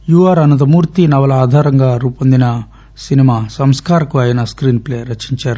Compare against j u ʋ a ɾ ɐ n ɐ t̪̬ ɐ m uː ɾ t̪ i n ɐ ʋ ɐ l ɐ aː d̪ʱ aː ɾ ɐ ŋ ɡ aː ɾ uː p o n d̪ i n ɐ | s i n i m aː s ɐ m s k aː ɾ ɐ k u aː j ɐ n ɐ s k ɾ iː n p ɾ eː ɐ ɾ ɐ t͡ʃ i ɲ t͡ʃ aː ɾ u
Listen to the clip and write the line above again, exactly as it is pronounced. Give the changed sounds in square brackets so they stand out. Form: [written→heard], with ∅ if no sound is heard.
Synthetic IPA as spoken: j u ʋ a ɾ ɐ n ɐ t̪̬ ɐ m uː ɾ t̪ i n ɐ ʋ ɐ l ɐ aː d̪ʱ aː ɾ ɐ ŋ ɡ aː ɾ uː p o n d̪ i n ɐ | s i n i m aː s ɐ m s k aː ɾ ɐ k u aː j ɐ n ɐ s k ɾ iː n p [ɾ→l] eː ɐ ɾ ɐ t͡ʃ i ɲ t͡ʃ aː ɾ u